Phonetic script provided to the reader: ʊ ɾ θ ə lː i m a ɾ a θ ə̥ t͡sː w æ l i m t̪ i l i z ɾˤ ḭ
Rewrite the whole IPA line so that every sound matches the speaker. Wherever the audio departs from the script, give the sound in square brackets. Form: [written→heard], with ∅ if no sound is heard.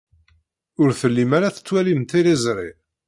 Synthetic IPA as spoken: ʊ ɾ θ ə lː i m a ɾ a θ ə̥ t͡sː w æ l i m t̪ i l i z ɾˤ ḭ